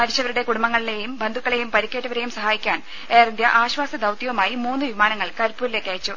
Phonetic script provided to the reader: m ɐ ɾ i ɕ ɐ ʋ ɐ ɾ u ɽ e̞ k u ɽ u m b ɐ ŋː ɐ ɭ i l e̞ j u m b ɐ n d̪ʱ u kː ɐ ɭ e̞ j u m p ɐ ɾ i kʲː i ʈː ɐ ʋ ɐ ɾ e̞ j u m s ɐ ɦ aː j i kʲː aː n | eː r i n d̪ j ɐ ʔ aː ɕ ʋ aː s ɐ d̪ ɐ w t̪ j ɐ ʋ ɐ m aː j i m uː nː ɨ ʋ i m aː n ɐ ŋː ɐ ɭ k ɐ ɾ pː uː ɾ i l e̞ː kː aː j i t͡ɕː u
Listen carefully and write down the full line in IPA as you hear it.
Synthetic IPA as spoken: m ɐ ɾ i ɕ ɐ ʋ ɐ ɾ u ɽ e̞ k u ɽ u m b ɐ ŋː ɐ ɭ i l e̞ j u m b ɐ n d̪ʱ u kː ɐ ɭ e̞ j u m p ɐ ɾ i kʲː e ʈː ɐ ʋ ɐ ɾ e̞ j u m s ɐ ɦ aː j i kʲː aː n | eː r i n d̪ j ɐ ʔ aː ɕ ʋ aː s ɐ d̪ ɐ w t̪ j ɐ ʋ ɐ m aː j i m uː nː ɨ ʋ i m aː n ɐ ŋː ɐ ɭ k ɐ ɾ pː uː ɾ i l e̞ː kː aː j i t͡ɕː u